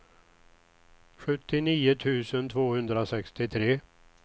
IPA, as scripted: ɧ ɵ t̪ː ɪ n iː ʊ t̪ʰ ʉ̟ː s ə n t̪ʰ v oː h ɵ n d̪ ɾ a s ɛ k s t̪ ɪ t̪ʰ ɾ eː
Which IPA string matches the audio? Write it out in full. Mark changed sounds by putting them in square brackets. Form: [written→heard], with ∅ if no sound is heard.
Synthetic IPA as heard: ɧ ɵ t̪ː ɪ n iː ʊ t̪ʰ ʉ̟ː s ə n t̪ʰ v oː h ɵ n d̪ ɾ a s ɛ k s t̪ ɪ t̪ʰ ɾ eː